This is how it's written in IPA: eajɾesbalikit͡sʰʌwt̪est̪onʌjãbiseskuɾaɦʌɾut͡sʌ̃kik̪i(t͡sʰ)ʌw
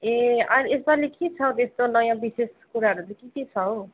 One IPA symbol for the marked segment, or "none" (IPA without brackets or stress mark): t͡sʰ